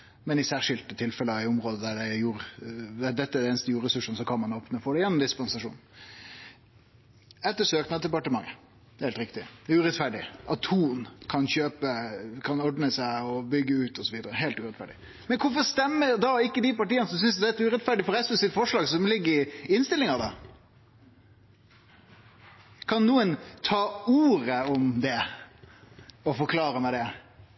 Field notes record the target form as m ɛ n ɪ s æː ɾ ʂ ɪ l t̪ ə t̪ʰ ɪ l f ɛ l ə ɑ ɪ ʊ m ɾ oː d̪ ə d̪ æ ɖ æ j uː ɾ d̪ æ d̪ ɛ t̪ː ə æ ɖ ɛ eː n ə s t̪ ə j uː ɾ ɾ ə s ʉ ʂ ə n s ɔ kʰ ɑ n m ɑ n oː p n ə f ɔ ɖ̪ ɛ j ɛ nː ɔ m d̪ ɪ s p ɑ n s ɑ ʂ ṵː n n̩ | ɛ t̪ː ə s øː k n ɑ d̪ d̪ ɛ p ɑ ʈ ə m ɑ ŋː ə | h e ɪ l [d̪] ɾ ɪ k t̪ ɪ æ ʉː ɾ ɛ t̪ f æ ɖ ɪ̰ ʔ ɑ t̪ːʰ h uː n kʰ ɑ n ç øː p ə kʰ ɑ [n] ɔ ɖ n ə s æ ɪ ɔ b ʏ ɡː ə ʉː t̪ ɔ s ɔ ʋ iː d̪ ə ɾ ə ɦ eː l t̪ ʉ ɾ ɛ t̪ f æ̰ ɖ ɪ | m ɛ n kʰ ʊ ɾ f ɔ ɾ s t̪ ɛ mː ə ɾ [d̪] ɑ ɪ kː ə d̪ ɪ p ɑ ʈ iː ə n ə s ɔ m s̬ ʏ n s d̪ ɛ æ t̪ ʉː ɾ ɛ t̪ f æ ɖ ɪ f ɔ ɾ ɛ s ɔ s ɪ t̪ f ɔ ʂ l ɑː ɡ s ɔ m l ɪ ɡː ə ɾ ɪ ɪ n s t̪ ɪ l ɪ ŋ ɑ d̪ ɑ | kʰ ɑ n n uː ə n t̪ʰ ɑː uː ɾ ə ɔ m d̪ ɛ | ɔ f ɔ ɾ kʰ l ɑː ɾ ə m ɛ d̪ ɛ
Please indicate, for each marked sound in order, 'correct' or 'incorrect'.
incorrect: t̪, correct, correct

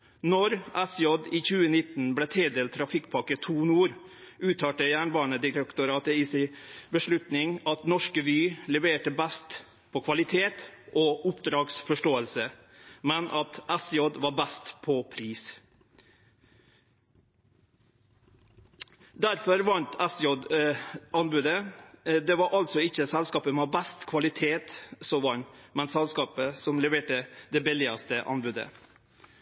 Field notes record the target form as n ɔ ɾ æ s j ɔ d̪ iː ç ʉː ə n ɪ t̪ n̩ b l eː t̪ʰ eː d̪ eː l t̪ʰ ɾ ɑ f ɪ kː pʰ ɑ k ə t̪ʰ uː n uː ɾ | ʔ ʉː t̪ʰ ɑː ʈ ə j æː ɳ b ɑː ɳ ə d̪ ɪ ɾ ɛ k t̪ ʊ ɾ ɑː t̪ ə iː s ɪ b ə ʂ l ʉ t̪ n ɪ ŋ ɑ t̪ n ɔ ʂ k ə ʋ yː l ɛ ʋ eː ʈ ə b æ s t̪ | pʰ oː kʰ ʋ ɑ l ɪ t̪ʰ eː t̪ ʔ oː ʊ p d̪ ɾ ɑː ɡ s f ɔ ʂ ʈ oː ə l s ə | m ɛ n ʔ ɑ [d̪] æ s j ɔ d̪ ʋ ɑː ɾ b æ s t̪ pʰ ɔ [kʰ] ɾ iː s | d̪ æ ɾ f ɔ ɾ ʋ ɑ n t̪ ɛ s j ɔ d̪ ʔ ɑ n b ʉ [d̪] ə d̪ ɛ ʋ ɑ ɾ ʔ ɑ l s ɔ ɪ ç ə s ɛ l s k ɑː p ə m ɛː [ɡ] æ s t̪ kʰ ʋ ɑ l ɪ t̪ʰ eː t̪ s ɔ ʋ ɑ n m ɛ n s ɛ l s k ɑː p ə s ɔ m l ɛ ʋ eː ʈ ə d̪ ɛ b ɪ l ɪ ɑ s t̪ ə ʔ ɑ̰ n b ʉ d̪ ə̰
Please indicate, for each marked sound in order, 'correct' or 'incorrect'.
incorrect: t̪, incorrect: pʰ, correct, incorrect: b

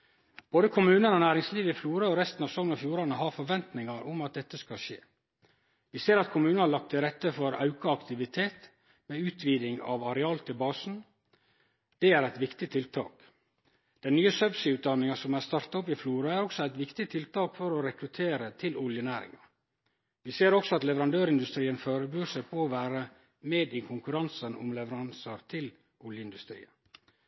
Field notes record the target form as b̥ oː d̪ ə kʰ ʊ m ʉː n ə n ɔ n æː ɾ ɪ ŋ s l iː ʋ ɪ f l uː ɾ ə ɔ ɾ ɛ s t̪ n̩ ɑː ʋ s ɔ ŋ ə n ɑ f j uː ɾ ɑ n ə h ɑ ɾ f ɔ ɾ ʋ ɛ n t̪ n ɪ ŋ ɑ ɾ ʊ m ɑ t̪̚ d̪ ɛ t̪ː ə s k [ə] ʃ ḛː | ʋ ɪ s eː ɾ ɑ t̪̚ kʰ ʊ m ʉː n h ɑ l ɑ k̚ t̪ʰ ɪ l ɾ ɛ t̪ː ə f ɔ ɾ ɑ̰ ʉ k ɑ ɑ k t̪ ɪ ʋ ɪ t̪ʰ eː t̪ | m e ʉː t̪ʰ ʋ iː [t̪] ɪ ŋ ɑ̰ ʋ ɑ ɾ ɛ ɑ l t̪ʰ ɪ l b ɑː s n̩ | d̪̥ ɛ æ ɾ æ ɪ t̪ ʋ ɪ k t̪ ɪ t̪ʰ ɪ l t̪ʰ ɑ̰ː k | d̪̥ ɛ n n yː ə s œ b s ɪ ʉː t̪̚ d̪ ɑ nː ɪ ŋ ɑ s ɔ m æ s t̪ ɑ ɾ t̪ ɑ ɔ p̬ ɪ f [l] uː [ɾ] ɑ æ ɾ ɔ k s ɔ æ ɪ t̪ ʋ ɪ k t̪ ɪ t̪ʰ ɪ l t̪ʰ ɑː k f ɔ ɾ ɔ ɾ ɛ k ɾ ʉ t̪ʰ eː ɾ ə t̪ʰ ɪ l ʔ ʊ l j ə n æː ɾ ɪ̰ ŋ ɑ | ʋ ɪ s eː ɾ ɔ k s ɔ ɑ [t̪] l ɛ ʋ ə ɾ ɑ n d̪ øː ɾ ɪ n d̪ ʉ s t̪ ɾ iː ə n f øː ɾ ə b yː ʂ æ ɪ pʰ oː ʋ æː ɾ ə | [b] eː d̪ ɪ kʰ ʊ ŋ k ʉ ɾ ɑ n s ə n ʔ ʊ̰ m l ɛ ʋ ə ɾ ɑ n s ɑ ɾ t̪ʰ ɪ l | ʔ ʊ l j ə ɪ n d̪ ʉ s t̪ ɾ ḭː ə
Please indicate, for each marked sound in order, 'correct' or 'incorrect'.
incorrect: ɑ, incorrect: d̪, correct, correct, correct, incorrect: m

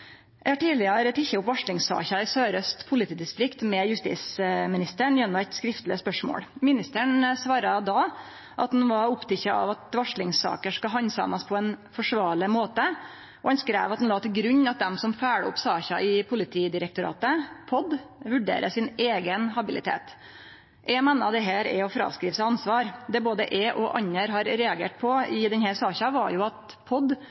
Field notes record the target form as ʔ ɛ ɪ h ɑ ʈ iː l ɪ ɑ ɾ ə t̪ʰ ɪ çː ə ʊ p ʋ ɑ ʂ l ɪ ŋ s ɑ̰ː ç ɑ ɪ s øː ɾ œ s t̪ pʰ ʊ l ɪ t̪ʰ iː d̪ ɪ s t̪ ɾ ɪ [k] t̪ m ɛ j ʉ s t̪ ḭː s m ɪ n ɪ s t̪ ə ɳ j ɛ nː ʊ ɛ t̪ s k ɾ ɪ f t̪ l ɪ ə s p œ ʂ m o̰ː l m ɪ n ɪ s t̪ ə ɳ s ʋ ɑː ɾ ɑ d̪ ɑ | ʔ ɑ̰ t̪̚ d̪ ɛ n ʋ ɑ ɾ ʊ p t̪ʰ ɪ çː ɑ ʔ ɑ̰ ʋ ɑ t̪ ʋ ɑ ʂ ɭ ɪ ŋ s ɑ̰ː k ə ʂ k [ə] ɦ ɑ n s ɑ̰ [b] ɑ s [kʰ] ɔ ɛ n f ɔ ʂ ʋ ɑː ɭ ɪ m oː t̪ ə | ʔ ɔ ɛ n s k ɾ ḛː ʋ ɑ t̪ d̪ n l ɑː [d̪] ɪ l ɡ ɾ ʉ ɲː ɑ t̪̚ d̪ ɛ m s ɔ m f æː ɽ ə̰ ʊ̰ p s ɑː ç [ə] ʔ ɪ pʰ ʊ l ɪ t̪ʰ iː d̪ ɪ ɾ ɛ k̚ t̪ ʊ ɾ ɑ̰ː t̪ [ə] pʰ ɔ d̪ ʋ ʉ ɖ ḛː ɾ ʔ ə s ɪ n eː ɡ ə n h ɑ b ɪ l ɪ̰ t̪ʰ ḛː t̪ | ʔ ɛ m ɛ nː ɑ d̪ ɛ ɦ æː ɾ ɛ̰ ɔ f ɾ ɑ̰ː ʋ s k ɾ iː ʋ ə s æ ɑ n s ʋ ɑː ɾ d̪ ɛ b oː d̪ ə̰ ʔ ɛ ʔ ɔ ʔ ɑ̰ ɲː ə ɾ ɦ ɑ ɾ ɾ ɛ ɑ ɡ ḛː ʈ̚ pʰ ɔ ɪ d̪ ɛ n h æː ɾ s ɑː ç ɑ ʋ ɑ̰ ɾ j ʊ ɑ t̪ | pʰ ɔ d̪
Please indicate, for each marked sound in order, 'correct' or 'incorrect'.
correct, incorrect: ɑ, incorrect: m, incorrect: pʰ, incorrect: t̪, incorrect: ɑ, correct

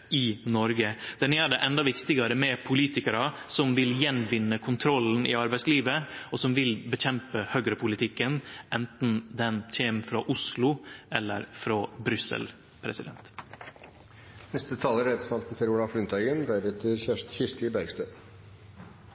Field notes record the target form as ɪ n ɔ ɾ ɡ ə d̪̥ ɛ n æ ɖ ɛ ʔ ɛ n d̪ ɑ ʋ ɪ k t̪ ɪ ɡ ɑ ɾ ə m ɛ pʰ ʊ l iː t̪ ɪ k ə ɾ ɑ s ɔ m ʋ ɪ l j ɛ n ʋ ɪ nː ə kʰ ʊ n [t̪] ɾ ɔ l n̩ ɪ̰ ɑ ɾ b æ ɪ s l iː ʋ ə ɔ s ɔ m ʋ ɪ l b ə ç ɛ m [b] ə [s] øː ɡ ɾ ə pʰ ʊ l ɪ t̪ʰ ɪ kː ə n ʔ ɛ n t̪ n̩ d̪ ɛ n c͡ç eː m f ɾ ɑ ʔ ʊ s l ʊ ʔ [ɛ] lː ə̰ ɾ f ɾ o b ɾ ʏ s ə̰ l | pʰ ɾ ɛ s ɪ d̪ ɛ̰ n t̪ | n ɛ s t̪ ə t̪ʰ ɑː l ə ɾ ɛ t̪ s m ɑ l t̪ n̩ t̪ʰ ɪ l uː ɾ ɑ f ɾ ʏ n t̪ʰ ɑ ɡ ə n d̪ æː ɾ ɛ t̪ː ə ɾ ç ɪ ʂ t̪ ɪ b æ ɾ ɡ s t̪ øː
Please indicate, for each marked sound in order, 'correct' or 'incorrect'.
incorrect: t̪ʰ, incorrect: p, incorrect: h, correct

